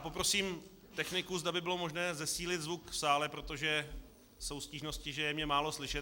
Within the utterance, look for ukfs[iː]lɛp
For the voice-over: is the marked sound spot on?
no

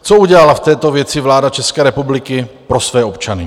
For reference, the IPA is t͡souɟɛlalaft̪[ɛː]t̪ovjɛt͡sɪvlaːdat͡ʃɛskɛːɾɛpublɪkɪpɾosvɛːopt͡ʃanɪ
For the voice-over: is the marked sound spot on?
yes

